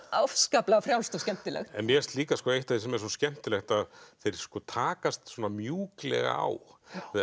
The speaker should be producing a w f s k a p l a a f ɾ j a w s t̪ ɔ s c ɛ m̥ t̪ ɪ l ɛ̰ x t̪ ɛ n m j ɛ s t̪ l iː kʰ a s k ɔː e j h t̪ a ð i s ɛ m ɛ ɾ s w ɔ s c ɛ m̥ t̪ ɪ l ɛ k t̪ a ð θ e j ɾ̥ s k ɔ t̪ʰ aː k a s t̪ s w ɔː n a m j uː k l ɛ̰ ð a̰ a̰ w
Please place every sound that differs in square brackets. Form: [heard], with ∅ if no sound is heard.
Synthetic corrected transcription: a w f s k a p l a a f ɾ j a w s t̪ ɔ s c ɛ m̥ t̪ ɪ l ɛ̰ x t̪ ɛ n m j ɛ s t̪ l iː [k] a s k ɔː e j h t̪ a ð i s ɛ m ɛ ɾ s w ɔ s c ɛ m̥ t̪ ɪ l ɛ [x] t̪ a ð θ e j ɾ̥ s k ɔ t̪ʰ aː k a s t̪ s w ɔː n a m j uː k l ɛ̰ [ɣ] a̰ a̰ w

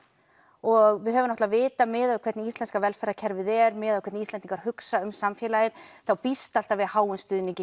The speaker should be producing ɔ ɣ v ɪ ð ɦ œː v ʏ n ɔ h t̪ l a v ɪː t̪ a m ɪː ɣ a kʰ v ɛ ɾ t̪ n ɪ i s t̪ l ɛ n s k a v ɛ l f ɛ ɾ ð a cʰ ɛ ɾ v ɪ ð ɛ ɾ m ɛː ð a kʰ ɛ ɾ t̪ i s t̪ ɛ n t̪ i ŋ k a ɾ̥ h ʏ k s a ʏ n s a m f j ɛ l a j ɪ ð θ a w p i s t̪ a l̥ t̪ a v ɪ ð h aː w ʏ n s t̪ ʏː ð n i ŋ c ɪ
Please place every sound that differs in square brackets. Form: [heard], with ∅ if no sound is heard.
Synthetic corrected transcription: ɔ ɣ v ɪ ð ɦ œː v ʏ n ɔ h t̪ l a v ɪː t̪ a m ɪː [ð] a kʰ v ɛ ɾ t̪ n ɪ i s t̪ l ɛ n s k a v ɛ l f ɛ ɾ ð a cʰ ɛ ɾ v ɪ ð ɛ ɾ m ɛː ð a kʰ ɛ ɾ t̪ i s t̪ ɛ n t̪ i ŋ k a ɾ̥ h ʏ k s a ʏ [m] s a m f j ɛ l a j ɪ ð θ a w p i s t̪ a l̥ t̪ a v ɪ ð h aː w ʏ n s t̪ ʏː ð n i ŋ c ɪ

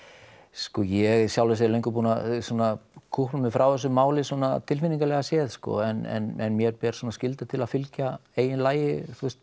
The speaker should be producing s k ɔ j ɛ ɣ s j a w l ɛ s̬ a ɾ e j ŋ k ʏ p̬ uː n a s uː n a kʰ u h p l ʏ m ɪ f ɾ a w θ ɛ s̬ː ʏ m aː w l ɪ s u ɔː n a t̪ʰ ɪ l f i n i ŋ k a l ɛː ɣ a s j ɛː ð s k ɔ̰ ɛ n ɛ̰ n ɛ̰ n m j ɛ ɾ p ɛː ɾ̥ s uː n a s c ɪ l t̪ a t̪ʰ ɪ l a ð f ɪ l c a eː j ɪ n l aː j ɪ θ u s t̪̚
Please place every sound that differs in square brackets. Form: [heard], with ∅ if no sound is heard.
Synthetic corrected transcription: s k ɔ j ɛ ɣ s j a w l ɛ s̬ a [l] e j ŋ k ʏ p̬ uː n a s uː n a kʰ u h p l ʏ m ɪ f ɾ a w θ ɛ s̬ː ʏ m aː w l ɪ s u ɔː n a t̪ʰ ɪ l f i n i ŋ k a l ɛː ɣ a s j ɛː ð s k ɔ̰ ɛ n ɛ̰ n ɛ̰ n m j ɛ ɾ p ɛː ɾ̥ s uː n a s c ɪ l t̪ a t̪ʰ ɪ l a ð f ɪ l c a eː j ɪ n l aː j ɪ θ u s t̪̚

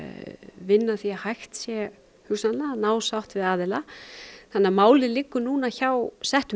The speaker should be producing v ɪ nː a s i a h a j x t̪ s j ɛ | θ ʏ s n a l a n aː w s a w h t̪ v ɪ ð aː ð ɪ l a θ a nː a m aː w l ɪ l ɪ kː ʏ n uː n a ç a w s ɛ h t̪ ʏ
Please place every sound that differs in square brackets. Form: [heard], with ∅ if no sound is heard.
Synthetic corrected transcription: v ɪ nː a [θ] i a h a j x t̪ s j ɛ | [h] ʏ s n a l a n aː w s a w h t̪ v ɪ ð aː ð ɪ l a θ a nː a m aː w l ɪ l ɪ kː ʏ n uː n a ç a w s ɛ h t̪ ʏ

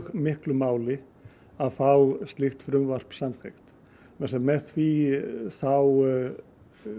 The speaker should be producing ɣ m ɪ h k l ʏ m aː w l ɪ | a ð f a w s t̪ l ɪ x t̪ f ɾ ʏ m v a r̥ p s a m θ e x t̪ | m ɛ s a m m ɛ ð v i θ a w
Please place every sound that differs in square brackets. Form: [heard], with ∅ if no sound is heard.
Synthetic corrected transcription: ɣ m ɪ h k l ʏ m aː w l ɪ | a ð f a w s t̪ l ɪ x t̪ f ɾ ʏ m v a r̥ p s a m θ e x t̪ | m ɛ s [ɛ] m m ɛ [θ] v i θ a w

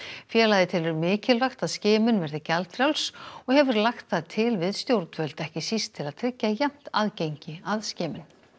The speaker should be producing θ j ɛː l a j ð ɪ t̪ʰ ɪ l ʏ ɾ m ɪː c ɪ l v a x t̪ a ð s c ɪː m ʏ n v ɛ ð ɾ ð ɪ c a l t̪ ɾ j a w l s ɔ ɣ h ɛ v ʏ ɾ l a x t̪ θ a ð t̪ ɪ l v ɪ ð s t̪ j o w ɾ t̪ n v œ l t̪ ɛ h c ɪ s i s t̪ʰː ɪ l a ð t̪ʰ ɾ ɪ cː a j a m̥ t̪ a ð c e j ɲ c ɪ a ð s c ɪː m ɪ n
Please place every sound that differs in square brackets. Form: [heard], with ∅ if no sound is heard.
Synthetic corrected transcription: [f] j ɛː l a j ð ɪ t̪ʰ ɪ l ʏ ɾ m ɪː c ɪ l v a x t̪ a ð s c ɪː m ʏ n v ɛ [∅] ɾ ð ɪ c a l t̪ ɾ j a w l s ɔ ɣ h ɛ v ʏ ɾ l a x t̪ θ a ð [t̪ʰ] ɪ l v ɪ ð s t̪ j o w ɾ t̪ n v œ l t̪ ɛ h c ɪ s i s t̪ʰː ɪ l a ð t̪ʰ ɾ ɪ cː a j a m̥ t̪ a ð c e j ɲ c ɪ a ð s c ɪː m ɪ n

